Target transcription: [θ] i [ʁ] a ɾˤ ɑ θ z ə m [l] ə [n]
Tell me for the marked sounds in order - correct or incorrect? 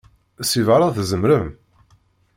incorrect: s, incorrect: v, incorrect: ɾ, incorrect: m

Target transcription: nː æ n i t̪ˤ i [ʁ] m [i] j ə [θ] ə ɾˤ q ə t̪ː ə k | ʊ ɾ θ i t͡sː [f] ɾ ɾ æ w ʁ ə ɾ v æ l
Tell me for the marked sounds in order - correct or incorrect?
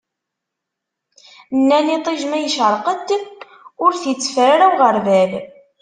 incorrect: ʒ, incorrect: æ, incorrect: ʃ, correct

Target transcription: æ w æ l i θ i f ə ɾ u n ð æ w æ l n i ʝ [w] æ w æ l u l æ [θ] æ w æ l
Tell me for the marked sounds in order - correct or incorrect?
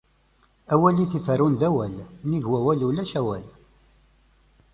correct, incorrect: ʃ

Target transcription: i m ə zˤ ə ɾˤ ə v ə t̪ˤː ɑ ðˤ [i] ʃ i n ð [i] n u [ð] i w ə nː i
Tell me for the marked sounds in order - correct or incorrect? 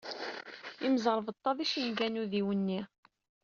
correct, incorrect: æ, correct

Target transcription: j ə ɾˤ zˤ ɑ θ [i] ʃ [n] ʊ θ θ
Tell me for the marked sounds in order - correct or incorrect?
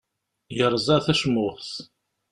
incorrect: æ, incorrect: m

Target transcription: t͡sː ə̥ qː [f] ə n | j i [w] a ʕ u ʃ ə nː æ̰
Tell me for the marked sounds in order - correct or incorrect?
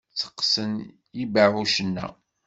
incorrect: s, incorrect: b

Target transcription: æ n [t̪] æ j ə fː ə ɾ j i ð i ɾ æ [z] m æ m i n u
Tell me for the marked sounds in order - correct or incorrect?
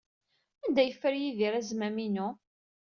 incorrect: d̪, correct

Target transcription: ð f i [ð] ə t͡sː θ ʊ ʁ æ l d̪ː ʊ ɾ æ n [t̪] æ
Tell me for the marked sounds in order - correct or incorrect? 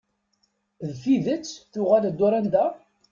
correct, incorrect: d̪

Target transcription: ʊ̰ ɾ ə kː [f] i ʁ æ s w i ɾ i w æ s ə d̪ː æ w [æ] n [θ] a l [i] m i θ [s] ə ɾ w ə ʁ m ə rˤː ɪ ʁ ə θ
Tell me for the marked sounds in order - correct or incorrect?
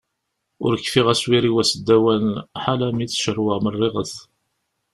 correct, correct, incorrect: ħ, incorrect: æ, incorrect: ʃ

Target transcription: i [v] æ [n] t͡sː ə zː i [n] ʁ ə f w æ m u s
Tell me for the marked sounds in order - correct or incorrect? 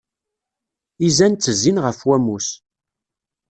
incorrect: z, correct, correct

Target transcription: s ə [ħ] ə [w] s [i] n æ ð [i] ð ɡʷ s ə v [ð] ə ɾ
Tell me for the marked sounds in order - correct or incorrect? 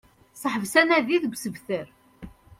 correct, incorrect: v, incorrect: æ, correct, incorrect: θ

